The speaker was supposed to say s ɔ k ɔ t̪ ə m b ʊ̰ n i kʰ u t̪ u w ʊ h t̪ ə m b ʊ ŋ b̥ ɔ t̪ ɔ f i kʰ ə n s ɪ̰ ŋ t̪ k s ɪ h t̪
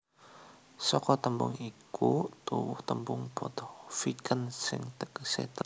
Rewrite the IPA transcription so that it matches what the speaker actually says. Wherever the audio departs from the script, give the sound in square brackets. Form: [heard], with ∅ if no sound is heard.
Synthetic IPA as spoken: s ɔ k ɔ t̪ ə m b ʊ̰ [ŋ] i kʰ u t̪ u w ʊ h t̪ ə m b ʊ ŋ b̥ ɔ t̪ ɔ f i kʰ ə n s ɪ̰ ŋ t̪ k s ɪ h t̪